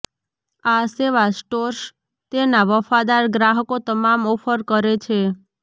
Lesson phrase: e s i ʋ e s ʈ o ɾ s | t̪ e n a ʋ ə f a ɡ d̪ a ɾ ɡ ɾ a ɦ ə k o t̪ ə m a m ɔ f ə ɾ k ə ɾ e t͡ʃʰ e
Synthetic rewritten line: a s e ʋ a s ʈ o ɾ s | t̪ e n a ʋ ə f a d̪ a ɾ ɡ ɾ a ɦ ə k o t̪ ə m a m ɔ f ə ɾ k ə ɾ e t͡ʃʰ e